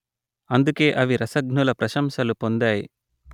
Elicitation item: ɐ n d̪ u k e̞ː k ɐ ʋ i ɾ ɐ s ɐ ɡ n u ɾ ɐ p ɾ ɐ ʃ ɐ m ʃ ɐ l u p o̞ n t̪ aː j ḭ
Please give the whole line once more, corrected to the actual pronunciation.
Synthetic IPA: ɐ n d̪ u k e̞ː ʔ ɐ ʋ i ɾ ɐ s ɐ ɡ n u l ɐ p ɾ ɐ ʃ ɐ m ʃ ɐ l u p o̞ n d̪ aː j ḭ

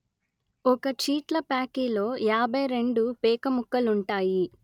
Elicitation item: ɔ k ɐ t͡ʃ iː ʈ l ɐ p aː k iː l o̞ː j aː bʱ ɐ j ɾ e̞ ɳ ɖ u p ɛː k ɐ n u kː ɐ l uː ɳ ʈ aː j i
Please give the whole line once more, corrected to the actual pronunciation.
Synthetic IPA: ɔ k ɐ t͡ʃ iː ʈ l ɐ p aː k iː l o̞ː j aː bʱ ɐ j ɾ e̞ ɳ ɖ u p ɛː k ɐ m u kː ɐ l u ɳ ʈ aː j i

